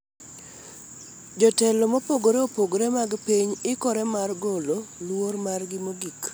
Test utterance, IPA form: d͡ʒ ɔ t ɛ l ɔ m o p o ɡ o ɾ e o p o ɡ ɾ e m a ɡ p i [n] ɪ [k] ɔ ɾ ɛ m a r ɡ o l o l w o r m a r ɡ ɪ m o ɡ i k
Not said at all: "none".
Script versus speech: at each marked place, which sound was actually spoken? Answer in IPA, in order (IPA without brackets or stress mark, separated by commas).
ɲ, k